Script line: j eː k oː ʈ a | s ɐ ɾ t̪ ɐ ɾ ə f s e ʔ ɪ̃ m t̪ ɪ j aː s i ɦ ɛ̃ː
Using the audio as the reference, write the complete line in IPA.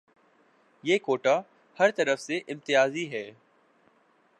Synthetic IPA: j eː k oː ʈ a | h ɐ ɾ t̪ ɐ ɾ ə f s e ʔ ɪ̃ m t̪ ɪ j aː z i ɦ ɛː